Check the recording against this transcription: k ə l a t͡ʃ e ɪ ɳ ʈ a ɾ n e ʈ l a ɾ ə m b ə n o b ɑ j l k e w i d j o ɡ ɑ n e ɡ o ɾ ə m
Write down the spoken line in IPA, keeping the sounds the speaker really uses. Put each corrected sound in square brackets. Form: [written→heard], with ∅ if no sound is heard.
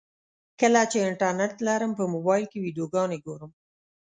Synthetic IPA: k ə l a t͡ʃ e ɪ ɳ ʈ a ɾ n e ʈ l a ɾ ə m [b→p] ə [n→m] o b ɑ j l k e w i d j o ɡ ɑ n e ɡ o ɾ ə m

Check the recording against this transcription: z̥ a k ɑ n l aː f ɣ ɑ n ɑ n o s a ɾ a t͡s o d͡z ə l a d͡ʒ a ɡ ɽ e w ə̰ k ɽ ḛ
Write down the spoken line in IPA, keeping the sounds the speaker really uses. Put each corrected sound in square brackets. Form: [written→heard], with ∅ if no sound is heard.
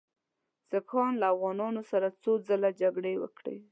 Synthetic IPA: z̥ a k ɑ n l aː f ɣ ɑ n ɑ n o s a ɾ a t͡s o d͡z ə l a d͡ʒ a ɡ ɽ e w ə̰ k ɽ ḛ

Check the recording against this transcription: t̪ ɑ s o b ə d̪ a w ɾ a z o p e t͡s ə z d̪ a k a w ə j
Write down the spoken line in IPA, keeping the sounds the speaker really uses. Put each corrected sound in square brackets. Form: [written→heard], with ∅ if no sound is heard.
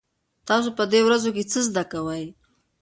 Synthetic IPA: t̪ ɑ s o [b→p] ə d̪ [a→e] w ɾ a z o [p→k] e t͡s ə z d̪ a k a w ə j

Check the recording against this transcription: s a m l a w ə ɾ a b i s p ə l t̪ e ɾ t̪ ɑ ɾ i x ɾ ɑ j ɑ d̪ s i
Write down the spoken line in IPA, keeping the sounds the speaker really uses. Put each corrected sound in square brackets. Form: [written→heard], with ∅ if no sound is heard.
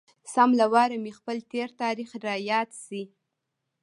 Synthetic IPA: s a m l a w [ə→ɑ] ɾ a [b→m] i [s→x] p ə l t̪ e ɾ t̪ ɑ ɾ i x ɾ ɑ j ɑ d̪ s i

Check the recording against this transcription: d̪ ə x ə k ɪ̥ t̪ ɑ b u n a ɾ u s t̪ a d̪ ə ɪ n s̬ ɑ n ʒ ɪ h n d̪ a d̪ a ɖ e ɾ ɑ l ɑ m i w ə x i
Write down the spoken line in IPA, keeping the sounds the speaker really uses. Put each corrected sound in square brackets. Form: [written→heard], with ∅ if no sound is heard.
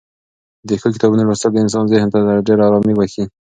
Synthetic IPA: d̪ ə x ə k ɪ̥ t̪ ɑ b u n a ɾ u s t̪ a d̪ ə ɪ n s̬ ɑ n [ʒ→z] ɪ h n [d̪→t̪] a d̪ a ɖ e ɾ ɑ [l→ɾ] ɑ m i w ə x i

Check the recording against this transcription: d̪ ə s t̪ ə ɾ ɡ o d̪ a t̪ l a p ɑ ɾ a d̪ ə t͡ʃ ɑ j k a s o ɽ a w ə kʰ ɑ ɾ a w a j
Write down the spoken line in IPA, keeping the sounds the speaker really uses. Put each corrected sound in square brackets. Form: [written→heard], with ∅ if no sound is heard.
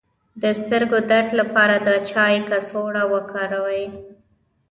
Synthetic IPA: d̪ ə s t̪ ə ɾ ɡ o d̪ a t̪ l a p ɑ ɾ a d̪ ə t͡ʃ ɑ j k a s o ɽ a w ə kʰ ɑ ɾ a w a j

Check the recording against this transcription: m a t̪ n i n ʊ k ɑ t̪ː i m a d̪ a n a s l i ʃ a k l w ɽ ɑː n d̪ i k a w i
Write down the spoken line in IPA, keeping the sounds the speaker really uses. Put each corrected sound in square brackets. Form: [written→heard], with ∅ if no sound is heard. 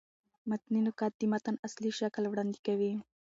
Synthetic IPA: m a t̪ n i n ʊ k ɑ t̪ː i m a [d̪→t̪] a n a s l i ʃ a k l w ɽ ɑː n d̪ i k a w i

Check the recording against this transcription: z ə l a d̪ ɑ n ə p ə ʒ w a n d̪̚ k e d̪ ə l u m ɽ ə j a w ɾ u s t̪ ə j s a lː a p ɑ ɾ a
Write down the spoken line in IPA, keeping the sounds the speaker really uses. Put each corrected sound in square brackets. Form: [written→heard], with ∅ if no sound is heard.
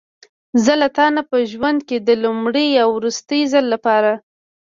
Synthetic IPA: z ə l a [d̪→t̪] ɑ n [ə→a] p ə ʒ w a n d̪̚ k e d̪ ə l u m ɽ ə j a w ɾ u s t̪ ə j [s→z] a lː a p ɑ ɾ a

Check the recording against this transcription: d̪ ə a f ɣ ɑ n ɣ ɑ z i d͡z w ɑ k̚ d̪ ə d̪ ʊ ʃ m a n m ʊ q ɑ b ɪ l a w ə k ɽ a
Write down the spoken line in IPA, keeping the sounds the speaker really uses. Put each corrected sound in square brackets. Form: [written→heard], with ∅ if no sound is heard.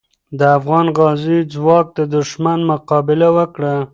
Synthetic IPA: d̪ ə a f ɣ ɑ n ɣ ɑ z i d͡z w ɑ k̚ d̪ ə d̪ ʊ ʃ m a n m ʊ q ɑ b ɪ l a w ə k ɽ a

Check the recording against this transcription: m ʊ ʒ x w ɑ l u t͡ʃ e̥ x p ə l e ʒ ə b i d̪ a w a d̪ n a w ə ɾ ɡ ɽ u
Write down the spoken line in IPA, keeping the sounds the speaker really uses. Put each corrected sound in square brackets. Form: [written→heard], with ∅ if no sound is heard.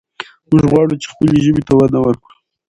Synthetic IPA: m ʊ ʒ [x→ɣ] w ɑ [l→ɽ] u t͡ʃ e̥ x p ə l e ʒ ə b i [d̪→t̪] a w a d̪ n a w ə ɾ [ɡ→k] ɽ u

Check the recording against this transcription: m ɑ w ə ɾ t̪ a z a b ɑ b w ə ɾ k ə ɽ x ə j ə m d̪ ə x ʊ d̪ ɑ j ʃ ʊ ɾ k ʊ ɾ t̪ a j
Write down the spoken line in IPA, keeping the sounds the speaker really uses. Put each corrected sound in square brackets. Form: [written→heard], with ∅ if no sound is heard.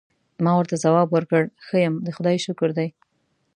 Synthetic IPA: m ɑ w ə ɾ t̪ a z a [b→w] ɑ b w ə ɾ k ə ɽ x ə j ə m d̪ ə x ʊ d̪ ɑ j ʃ ʊ [ɾ→∅] k ʊ ɾ [t̪→d̪] a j

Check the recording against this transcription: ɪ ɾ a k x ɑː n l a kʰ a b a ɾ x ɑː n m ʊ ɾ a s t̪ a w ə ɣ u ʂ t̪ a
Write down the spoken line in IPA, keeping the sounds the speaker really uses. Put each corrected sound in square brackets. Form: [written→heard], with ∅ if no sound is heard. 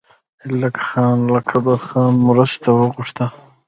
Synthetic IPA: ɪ [ɾ→l] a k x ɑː n l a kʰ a b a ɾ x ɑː n m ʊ ɾ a s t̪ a w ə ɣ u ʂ t̪ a

